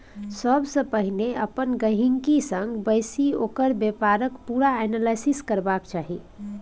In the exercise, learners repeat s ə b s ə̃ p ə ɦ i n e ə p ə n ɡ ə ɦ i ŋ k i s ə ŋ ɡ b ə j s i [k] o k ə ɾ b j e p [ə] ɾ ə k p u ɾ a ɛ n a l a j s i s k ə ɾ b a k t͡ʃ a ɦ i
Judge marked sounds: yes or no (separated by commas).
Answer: no, no